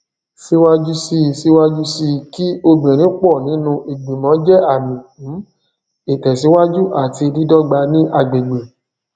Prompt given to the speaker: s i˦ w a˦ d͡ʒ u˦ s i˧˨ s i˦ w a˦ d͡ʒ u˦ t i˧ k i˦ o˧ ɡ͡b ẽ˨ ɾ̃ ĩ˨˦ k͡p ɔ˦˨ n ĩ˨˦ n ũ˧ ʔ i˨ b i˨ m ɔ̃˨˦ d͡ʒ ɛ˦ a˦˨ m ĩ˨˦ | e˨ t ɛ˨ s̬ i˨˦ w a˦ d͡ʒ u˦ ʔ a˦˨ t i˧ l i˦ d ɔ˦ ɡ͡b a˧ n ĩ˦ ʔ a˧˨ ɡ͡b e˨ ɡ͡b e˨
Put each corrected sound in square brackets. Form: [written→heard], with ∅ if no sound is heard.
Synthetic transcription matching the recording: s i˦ w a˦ d͡ʒ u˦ s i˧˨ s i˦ w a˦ d͡ʒ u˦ [t→s] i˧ k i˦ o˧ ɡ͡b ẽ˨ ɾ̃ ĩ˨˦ k͡p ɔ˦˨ n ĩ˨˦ n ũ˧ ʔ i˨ [b→ɡ͡b] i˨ m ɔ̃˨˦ d͡ʒ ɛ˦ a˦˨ m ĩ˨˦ | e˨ t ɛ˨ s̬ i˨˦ w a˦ d͡ʒ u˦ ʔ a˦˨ t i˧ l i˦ d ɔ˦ ɡ͡b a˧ n ĩ˦ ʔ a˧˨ ɡ͡b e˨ ɡ͡b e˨

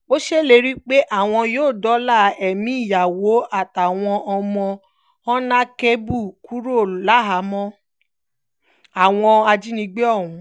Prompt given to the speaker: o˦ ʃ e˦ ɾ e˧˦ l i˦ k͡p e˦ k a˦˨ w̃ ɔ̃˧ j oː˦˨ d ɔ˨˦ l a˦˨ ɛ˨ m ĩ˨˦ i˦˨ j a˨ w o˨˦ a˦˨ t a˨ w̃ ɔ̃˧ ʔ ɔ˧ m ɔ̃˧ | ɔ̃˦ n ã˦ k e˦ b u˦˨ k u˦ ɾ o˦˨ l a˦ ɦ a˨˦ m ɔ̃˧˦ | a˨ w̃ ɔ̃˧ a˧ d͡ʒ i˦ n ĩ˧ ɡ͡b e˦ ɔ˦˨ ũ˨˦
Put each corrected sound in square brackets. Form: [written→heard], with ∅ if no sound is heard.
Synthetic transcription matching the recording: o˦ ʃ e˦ [ɾ→l] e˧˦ [l→ɾ] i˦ k͡p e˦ [k→ʔ] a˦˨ w̃ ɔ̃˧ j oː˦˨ d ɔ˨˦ l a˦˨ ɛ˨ m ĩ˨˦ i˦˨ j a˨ w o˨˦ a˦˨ t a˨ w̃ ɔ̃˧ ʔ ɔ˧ m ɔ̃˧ | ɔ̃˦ n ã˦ k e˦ b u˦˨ k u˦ ɾ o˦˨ l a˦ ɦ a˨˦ m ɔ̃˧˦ | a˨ w̃ ɔ̃˧ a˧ d͡ʒ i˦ n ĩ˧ ɡ͡b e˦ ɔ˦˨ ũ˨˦

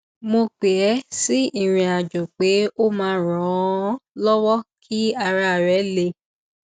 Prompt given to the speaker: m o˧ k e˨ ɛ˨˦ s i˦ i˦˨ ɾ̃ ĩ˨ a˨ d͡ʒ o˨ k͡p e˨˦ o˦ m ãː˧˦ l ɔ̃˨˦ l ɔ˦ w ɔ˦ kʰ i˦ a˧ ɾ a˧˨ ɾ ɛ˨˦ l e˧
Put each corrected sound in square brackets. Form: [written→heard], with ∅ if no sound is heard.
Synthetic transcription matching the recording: m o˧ [k→k͡p] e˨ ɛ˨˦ s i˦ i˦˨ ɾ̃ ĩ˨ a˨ d͡ʒ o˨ k͡p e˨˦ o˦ m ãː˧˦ [l→ɾ] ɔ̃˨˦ l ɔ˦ w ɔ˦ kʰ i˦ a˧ ɾ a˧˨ ɾ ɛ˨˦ l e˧

